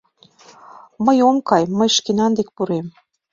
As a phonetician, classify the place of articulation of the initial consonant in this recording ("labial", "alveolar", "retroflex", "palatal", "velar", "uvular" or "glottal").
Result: labial